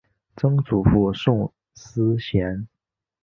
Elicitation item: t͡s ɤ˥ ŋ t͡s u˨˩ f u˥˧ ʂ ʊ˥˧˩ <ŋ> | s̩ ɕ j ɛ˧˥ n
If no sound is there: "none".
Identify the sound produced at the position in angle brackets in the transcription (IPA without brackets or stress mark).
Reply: ŋ